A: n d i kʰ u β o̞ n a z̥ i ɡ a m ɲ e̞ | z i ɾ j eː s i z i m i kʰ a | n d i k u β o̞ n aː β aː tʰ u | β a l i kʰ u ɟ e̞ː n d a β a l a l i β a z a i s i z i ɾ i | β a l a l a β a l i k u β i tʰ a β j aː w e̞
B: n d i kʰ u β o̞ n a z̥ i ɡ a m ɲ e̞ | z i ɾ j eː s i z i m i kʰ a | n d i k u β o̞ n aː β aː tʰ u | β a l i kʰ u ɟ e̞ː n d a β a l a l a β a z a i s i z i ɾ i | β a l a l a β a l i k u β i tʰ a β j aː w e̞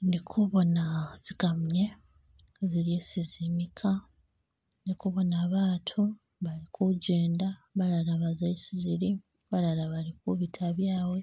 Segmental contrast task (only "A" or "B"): B